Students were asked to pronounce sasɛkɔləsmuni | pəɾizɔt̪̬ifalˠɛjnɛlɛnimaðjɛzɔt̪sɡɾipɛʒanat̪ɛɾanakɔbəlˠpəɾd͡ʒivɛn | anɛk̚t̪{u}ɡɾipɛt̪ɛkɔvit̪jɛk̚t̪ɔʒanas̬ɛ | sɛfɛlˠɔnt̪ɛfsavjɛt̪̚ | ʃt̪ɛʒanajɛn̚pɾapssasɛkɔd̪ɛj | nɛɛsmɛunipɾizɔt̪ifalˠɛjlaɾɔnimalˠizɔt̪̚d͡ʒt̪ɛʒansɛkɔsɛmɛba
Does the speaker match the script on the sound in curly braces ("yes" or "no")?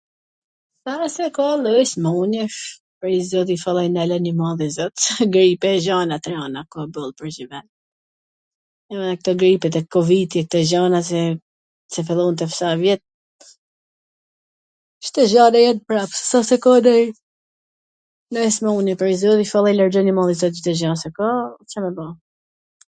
no